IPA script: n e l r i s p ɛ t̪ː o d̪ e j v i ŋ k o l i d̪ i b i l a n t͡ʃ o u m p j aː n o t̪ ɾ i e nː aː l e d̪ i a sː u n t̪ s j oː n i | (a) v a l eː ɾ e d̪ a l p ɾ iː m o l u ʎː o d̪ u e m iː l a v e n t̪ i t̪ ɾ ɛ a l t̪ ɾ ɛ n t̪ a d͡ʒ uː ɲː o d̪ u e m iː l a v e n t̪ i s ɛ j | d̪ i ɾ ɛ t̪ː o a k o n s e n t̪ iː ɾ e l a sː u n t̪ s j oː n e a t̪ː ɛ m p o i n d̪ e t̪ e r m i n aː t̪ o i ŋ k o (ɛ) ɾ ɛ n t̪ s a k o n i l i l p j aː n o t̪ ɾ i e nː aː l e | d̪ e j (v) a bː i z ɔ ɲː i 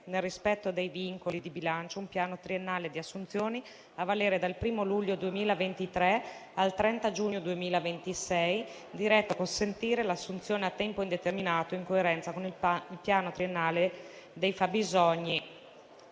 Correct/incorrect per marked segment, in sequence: correct, incorrect: e, incorrect: f

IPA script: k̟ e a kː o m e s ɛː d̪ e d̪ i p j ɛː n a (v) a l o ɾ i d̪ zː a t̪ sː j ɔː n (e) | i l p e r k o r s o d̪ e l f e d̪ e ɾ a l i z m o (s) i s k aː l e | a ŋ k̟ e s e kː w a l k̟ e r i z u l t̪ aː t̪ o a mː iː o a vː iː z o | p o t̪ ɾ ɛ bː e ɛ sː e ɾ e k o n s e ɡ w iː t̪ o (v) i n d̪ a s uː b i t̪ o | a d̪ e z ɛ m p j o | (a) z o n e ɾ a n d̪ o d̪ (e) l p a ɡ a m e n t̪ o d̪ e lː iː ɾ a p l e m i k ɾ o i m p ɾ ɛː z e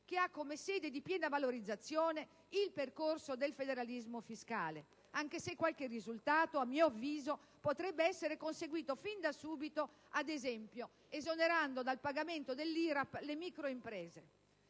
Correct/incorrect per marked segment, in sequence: correct, correct, incorrect: f, incorrect: f, incorrect: e, incorrect: a

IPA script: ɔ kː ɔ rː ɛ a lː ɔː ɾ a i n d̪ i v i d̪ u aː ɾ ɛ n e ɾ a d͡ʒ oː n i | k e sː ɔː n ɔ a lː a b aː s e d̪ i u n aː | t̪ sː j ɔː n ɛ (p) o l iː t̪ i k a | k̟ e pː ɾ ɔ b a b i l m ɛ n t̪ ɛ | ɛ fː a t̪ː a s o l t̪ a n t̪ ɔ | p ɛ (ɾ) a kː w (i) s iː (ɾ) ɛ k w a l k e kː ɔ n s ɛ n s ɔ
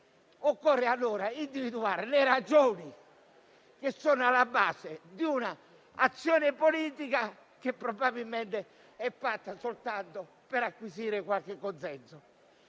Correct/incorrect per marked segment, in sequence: correct, correct, correct, correct

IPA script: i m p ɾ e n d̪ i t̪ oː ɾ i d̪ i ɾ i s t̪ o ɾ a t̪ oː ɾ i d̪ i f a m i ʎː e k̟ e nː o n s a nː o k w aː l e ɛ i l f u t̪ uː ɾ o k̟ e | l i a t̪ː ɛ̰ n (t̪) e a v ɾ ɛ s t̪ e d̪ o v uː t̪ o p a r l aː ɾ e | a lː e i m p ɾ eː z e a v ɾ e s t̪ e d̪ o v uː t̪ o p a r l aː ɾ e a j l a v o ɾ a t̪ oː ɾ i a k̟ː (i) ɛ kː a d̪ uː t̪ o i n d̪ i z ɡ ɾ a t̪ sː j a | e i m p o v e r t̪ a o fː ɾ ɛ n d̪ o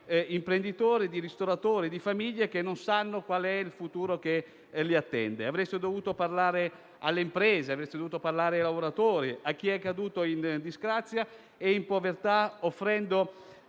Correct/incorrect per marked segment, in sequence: incorrect: d̪, correct

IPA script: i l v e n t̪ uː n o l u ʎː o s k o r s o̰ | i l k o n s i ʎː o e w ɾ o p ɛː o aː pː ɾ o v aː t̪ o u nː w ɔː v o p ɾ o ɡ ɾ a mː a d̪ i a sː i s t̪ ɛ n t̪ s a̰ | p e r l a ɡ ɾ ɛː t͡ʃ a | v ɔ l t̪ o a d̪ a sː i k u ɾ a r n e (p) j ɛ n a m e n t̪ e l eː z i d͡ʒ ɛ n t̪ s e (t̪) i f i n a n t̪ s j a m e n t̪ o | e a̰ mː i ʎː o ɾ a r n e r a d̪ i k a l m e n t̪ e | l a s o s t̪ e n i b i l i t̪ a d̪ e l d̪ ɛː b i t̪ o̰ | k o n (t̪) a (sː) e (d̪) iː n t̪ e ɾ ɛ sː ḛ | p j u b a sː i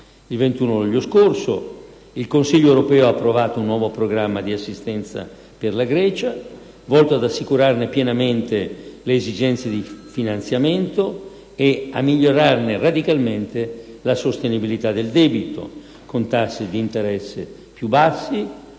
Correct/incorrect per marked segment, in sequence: correct, incorrect: d̪, correct, correct, correct

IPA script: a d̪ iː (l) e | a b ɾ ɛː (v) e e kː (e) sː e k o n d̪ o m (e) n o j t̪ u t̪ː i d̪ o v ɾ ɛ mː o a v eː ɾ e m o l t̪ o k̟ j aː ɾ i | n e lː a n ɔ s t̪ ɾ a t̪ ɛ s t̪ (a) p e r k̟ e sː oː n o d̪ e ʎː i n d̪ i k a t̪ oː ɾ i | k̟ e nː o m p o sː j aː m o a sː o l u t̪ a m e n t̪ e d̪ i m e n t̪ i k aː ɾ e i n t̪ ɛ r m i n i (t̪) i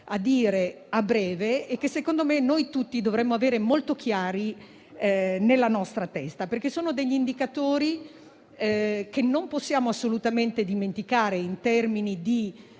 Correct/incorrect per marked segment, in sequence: incorrect: ɾ, correct, correct, correct, correct, incorrect: d̪

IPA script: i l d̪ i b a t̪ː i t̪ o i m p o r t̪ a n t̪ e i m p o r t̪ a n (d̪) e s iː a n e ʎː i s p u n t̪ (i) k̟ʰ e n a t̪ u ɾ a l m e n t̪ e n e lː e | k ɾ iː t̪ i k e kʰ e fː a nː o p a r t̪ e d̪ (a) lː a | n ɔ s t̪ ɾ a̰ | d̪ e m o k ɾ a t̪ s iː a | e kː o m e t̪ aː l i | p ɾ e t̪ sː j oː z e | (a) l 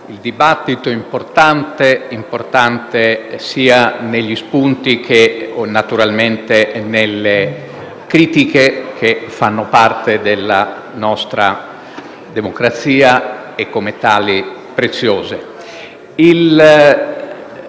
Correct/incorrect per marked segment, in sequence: incorrect: t̪, correct, incorrect: e, incorrect: i

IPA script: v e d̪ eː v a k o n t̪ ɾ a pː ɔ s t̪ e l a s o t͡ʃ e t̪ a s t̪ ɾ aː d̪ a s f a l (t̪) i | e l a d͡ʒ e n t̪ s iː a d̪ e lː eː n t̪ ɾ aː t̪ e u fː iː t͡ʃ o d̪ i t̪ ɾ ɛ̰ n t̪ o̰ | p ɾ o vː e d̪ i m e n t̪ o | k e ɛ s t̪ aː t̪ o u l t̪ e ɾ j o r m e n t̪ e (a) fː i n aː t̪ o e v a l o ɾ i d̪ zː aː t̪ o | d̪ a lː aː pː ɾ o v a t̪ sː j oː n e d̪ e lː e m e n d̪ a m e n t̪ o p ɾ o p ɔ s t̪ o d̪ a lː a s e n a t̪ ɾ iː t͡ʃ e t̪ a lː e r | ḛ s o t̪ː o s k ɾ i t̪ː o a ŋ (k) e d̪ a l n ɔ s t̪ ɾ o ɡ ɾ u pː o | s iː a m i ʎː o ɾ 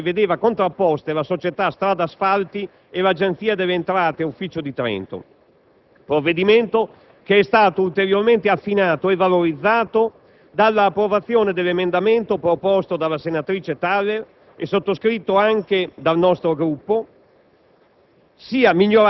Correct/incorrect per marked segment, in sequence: correct, correct, correct

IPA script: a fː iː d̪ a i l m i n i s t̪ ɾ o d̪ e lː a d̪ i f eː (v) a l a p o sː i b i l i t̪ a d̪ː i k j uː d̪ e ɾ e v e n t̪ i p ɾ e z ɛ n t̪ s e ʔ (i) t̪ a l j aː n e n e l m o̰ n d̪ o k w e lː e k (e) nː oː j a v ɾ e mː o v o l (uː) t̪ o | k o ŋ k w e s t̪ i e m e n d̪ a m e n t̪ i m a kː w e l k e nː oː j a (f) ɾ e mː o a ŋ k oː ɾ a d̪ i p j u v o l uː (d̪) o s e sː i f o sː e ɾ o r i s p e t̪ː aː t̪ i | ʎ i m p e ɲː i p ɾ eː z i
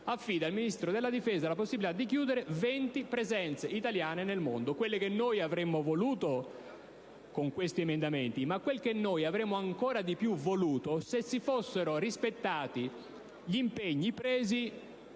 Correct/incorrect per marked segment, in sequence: incorrect: z, correct, correct, correct, incorrect: v, incorrect: t̪

